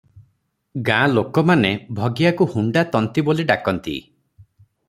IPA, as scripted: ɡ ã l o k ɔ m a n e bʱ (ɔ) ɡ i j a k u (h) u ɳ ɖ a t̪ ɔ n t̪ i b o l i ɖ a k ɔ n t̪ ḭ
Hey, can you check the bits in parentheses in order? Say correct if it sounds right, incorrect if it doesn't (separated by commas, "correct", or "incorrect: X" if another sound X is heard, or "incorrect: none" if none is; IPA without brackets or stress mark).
correct, correct